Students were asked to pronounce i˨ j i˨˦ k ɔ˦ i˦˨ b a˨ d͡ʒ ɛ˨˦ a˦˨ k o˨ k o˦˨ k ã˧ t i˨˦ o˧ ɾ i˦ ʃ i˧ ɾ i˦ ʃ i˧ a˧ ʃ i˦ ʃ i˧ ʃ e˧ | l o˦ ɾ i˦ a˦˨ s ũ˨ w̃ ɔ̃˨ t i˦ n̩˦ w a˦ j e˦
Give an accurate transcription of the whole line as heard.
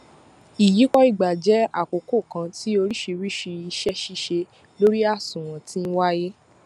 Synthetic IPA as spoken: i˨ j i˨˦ k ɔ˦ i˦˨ ɡ͡b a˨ d͡ʒ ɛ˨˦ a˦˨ k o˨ k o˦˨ k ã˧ t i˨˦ o˧ ɾ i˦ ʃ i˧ ɾ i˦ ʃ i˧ i˧ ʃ ɛ˦ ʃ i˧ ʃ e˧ | l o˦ ɾ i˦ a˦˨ s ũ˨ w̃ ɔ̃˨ t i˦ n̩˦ w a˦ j e˦